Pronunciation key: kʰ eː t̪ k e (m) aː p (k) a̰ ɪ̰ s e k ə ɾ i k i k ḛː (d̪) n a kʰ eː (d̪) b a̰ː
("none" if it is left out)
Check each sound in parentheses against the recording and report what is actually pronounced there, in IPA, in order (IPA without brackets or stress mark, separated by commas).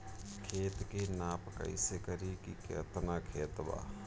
n, k, t̪, t̪